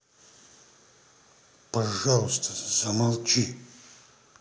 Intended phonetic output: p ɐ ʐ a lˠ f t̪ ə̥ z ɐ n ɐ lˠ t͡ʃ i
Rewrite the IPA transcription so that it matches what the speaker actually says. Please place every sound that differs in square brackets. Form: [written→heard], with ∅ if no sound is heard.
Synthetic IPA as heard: p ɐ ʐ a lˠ [f→s] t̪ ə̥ z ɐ [n→m] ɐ lˠ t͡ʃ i